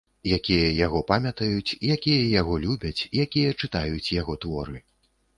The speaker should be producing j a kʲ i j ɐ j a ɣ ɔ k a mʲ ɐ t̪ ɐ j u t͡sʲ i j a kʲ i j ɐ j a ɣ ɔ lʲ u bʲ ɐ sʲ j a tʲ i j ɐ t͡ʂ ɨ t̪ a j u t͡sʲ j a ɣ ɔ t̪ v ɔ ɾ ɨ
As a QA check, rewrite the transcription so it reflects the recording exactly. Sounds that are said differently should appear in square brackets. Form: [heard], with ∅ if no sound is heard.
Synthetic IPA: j a kʲ i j ɐ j a ɣ ɔ [p] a mʲ ɐ t̪ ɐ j u t͡sʲ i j a kʲ i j ɐ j a ɣ ɔ lʲ u bʲ ɐ [t͡sʲ] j a [kʲ] i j ɐ t͡ʂ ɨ t̪ a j u t͡sʲ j a ɣ ɔ t̪ v ɔ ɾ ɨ